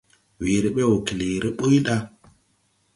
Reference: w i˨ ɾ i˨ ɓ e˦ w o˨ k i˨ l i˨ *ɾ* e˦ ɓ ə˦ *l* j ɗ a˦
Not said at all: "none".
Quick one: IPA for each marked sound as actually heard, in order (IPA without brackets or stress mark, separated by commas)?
ɾ, none